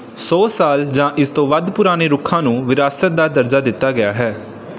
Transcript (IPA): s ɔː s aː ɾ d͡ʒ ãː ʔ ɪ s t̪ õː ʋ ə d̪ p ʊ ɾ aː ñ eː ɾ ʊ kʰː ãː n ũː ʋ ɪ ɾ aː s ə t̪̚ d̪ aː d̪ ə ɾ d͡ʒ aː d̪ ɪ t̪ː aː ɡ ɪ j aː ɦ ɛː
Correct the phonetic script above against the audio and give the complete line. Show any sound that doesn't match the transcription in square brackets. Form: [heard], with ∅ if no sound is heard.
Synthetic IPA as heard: s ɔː s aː [l] d͡ʒ ãː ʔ ɪ s t̪ õː ʋ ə d̪ p ʊ ɾ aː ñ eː ɾ ʊ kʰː ãː n ũː ʋ ɪ ɾ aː s ə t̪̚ d̪ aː d̪ ə ɾ d͡ʒ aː d̪ ɪ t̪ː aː ɡ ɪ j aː ɦ ɛː